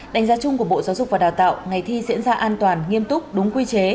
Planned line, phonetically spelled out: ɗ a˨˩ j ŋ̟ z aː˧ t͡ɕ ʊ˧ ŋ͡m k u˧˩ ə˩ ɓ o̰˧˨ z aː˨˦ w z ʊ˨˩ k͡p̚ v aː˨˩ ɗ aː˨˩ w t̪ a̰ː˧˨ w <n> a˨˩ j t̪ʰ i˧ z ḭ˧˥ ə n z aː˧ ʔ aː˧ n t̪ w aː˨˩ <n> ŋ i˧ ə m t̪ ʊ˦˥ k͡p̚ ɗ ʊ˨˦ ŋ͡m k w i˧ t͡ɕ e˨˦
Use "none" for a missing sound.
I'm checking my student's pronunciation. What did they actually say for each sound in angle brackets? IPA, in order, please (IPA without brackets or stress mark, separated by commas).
ŋ, n